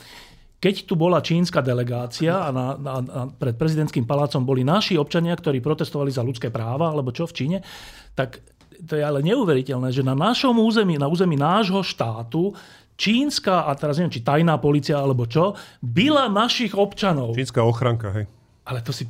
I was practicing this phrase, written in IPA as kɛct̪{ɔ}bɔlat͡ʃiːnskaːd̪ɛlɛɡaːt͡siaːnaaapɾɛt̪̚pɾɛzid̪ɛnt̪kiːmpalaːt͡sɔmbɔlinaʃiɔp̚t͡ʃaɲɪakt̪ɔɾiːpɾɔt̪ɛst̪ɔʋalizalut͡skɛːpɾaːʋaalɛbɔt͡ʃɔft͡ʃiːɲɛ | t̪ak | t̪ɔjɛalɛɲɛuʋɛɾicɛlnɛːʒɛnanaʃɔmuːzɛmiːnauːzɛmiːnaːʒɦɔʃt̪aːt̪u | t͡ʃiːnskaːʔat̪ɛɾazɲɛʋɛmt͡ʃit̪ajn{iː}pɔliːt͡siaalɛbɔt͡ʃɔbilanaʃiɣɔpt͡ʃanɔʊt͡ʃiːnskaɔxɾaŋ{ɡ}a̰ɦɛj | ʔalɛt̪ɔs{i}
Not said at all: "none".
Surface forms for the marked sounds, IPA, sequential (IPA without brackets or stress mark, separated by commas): u, aː, k, i